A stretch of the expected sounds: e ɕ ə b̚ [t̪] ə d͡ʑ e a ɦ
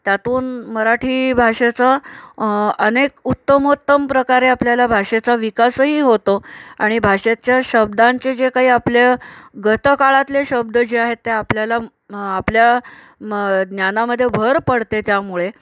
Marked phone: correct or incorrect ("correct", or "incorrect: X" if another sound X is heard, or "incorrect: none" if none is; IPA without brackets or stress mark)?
incorrect: d̪